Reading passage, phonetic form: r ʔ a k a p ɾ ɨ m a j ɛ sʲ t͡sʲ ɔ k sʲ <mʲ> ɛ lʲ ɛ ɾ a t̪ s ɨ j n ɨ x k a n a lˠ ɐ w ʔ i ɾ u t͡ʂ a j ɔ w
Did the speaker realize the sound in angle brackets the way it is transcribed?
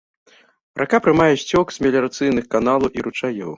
yes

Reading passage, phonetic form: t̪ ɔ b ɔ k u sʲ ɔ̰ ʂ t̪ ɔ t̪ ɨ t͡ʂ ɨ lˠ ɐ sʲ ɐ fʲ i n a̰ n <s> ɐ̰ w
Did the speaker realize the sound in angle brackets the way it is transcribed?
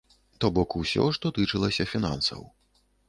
yes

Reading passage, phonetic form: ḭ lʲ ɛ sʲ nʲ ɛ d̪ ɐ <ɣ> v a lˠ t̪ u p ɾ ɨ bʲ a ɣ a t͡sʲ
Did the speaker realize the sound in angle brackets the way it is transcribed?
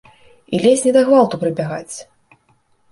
yes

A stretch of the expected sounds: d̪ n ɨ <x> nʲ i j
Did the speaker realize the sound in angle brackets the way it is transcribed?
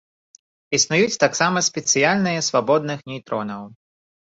yes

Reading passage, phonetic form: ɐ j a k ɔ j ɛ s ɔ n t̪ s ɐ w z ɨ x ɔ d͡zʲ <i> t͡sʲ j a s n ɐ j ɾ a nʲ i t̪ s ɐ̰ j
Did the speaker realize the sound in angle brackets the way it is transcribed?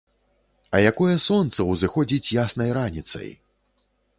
yes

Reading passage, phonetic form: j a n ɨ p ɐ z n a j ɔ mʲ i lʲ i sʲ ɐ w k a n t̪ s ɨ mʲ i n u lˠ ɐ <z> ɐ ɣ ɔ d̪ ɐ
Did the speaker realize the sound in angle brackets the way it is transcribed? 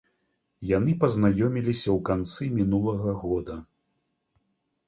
no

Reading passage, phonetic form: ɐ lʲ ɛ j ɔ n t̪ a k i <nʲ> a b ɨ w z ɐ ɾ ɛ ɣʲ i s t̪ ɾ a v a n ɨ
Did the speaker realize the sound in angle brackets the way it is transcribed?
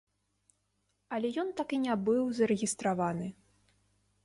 yes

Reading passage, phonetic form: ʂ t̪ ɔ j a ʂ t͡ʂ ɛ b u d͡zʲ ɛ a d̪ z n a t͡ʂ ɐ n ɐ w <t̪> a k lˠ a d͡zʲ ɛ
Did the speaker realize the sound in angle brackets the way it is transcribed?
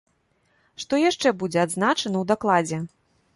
no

